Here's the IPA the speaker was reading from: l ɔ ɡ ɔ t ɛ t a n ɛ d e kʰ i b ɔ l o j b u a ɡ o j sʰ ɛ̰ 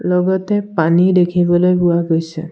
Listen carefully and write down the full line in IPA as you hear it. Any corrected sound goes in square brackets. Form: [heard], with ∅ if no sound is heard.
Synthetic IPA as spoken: l ɔ ɡ ɔ t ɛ [p] a n [i] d e kʰ i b ɔ l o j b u a ɡ o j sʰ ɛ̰